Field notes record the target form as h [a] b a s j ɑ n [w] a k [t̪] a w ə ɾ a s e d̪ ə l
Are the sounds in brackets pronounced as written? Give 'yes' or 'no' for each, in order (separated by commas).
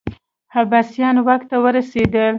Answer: yes, yes, yes